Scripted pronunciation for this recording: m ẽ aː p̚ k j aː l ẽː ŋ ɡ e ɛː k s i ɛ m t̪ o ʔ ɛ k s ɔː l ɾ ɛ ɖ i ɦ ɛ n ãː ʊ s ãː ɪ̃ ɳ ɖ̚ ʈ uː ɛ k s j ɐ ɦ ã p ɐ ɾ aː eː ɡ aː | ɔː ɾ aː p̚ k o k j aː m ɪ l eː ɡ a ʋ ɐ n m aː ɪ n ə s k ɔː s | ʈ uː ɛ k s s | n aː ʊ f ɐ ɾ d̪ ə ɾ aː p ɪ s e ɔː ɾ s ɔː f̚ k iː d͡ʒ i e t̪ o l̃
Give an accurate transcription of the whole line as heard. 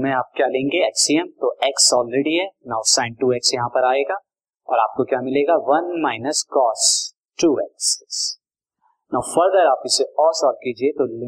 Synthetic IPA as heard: m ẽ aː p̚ k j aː l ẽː ŋ ɡ e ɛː k s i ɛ m t̪ o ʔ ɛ k s ɔː l ɾ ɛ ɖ i ɦ ɛ n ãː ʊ s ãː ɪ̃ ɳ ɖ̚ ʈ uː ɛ k s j ɐ ɦ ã p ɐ ɾ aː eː ɡ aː | ɔː ɾ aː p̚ k o k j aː m ɪ l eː ɡ a ʋ ɐ n m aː ɪ n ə s k ɔː s | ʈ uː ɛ k s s | n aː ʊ f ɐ ɾ d̪ ə ɾ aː p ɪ s e ɔː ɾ s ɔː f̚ k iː d͡ʒ i e t̪ o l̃